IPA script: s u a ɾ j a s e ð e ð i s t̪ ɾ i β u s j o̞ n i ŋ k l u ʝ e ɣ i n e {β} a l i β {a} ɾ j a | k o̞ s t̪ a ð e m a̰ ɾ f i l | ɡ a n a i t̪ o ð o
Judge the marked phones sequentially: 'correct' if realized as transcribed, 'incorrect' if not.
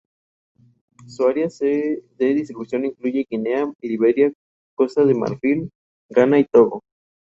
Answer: incorrect: none, incorrect: e

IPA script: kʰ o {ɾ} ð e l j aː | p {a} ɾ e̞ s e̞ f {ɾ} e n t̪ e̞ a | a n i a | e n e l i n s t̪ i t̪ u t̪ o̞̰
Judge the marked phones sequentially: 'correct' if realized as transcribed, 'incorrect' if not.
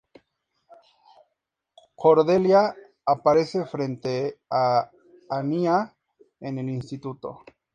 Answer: correct, correct, correct

